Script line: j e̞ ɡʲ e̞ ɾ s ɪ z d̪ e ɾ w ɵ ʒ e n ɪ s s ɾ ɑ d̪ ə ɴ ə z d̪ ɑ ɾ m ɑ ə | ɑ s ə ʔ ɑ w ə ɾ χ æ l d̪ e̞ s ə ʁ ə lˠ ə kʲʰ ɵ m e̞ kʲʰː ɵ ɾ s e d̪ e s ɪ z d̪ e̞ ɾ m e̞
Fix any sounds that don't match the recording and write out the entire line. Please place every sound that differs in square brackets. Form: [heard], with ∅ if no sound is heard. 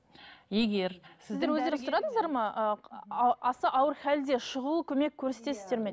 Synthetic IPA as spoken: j e̞ ɡʲ e̞ ɾ s ɪ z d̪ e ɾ w ɵ [z] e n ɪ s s ɾ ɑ d̪ ə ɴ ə z d̪ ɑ ɾ m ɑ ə | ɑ s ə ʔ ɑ w ə ɾ χ æ l d̪ e̞ [ʃ] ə ʁ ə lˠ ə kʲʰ ɵ m e̞ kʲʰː ɵ ɾ s e [t̪] e s ɪ z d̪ e̞ ɾ m e̞